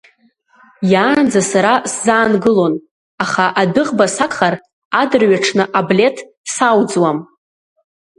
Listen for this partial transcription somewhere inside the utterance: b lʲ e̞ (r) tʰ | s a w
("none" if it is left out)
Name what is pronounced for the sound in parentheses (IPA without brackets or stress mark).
none